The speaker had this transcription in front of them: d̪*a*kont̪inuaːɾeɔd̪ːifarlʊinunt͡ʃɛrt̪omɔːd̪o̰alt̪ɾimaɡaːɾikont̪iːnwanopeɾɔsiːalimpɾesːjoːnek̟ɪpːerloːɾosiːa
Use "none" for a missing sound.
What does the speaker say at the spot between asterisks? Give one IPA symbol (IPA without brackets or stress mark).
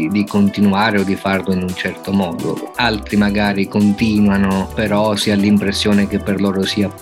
i